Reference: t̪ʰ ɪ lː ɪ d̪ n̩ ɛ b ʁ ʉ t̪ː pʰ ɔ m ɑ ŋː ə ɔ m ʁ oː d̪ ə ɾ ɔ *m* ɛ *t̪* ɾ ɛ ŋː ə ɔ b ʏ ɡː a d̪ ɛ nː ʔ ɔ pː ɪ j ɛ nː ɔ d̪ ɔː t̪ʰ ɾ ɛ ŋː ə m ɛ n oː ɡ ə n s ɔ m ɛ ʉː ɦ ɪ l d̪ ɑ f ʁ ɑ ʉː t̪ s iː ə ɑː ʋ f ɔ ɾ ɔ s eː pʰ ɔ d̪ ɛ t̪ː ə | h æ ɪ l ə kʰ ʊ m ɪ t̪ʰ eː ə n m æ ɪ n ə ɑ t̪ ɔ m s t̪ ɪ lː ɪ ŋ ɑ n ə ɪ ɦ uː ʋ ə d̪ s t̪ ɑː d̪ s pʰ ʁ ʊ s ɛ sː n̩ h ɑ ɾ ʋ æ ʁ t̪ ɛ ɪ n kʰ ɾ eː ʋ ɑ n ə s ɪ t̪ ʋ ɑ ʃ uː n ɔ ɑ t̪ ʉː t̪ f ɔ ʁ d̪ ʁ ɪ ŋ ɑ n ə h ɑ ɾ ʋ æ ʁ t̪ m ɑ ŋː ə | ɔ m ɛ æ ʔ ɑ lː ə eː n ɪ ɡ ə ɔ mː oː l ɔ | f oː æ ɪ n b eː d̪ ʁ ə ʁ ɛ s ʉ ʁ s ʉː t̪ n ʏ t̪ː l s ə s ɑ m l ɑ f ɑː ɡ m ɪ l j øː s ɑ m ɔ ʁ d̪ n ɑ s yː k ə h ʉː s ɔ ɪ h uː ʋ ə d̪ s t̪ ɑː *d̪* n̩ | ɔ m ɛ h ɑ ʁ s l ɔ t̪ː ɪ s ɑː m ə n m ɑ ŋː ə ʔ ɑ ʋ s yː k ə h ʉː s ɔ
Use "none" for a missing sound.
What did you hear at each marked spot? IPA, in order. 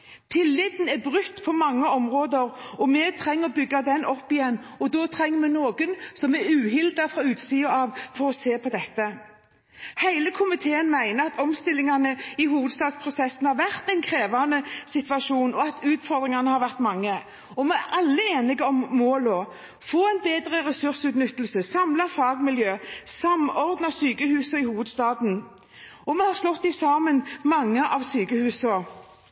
m, t̪ʰ, d̪

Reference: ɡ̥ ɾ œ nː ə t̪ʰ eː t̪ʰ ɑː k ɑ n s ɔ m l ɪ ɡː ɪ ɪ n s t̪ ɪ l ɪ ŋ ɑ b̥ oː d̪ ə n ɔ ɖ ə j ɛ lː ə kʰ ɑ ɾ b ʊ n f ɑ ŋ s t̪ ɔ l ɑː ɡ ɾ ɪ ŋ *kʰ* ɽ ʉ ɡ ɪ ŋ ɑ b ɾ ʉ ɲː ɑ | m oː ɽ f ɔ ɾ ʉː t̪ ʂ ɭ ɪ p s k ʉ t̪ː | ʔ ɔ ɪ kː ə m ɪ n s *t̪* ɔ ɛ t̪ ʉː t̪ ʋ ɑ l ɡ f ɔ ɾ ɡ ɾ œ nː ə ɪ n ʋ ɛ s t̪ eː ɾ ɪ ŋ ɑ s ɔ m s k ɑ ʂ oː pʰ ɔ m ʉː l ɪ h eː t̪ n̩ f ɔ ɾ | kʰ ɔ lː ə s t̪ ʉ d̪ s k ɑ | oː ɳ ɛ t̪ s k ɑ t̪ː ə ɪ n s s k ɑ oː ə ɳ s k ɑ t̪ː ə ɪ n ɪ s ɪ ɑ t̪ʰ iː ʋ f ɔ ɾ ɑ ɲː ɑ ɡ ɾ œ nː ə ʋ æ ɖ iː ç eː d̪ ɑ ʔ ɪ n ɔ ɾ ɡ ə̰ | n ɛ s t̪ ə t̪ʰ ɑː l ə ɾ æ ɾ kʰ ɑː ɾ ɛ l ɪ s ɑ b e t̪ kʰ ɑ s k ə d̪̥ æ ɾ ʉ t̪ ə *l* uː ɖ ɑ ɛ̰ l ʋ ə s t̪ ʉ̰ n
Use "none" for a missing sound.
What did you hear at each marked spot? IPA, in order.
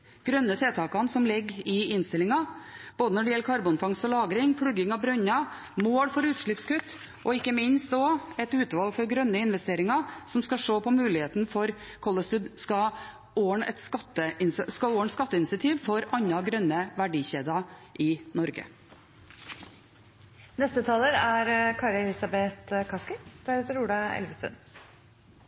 pʰ, t̪, ɾ

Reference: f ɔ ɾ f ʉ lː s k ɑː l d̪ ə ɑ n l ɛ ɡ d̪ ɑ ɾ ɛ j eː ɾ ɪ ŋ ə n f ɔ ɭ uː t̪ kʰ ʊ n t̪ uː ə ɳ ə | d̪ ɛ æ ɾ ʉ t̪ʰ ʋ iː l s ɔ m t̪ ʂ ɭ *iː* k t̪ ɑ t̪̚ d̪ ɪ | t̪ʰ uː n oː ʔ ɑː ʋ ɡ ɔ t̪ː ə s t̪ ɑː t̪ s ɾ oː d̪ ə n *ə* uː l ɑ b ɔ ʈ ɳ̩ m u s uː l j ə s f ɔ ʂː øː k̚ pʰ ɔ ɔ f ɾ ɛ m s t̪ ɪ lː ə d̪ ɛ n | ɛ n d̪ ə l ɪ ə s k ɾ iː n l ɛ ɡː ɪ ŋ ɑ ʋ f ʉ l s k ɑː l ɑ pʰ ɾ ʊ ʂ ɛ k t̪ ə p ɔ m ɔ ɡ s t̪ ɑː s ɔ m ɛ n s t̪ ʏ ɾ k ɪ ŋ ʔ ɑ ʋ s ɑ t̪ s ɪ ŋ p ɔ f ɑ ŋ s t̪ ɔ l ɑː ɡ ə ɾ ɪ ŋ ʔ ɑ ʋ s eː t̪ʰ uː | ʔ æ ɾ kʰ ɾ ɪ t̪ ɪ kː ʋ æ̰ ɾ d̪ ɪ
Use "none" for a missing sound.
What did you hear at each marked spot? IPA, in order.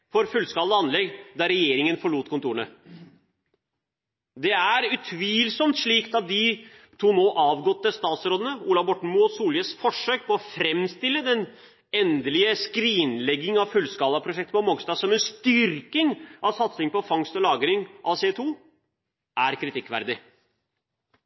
iː, ə

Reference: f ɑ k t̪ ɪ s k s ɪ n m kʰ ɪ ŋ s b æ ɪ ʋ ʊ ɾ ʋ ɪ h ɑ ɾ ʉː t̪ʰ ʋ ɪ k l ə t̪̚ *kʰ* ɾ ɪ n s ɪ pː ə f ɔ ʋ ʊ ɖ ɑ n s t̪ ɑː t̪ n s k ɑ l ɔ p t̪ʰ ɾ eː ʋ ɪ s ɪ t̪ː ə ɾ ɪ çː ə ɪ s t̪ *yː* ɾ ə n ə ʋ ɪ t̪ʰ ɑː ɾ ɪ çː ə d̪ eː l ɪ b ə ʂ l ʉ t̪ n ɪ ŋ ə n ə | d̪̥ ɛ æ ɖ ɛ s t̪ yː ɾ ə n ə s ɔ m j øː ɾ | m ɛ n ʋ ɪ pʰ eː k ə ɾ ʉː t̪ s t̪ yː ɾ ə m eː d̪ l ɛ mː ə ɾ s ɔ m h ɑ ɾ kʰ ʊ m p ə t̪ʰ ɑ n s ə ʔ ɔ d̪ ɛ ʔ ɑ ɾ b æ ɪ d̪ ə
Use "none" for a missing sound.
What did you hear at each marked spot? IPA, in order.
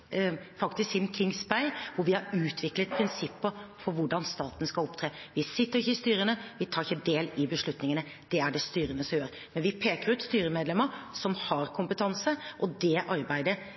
pʰ, yː

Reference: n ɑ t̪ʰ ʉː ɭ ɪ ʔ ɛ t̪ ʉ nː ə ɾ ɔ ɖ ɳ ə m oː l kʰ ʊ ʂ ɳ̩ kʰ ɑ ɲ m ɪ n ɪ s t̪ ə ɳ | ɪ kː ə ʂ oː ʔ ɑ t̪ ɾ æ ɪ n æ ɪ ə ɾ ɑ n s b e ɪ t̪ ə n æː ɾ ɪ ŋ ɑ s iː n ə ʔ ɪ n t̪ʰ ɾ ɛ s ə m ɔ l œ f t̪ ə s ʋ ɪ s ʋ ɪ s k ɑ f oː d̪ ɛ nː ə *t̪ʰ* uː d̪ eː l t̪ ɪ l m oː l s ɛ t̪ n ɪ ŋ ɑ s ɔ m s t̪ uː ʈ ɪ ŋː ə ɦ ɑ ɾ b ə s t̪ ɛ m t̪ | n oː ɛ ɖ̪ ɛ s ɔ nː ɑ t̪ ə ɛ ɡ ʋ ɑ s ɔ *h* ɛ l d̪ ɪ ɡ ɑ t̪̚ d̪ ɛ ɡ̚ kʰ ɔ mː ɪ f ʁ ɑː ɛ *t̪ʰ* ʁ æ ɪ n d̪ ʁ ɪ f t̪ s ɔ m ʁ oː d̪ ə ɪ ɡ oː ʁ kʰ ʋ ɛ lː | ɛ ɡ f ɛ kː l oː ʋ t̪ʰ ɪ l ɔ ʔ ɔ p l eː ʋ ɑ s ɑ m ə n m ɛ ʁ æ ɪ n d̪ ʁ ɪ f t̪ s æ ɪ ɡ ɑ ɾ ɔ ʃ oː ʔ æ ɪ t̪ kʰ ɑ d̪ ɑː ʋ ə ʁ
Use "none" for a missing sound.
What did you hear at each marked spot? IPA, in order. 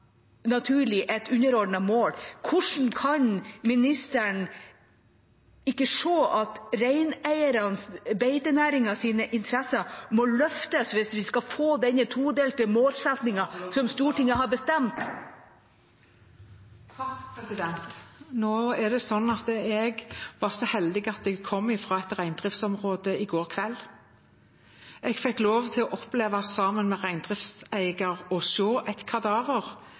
t̪ʰ, h, t̪

